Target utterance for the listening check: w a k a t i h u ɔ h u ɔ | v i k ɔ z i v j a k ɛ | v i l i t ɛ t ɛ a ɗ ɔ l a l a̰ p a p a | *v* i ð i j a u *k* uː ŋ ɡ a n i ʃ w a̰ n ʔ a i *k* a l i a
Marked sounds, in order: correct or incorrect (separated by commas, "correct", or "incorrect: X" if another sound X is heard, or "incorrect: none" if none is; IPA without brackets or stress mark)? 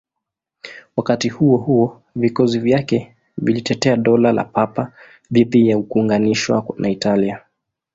incorrect: ð, correct, incorrect: t